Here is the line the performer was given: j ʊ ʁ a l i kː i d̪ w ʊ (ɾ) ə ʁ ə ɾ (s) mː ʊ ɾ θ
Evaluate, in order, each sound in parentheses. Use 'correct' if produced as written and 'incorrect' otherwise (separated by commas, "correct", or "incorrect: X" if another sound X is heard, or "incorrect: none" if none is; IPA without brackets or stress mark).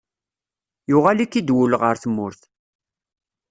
incorrect: l, incorrect: θ